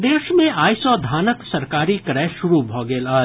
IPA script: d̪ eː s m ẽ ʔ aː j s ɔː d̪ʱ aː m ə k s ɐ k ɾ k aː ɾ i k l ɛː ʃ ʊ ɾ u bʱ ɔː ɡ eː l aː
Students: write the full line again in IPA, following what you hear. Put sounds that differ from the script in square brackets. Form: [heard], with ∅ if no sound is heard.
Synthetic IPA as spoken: d̪ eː [ʃ] m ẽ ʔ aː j s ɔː d̪ʱ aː [n] ə k s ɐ [∅] ɾ k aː ɾ i k [ɾ] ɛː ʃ ʊ ɾ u bʱ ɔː ɡ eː l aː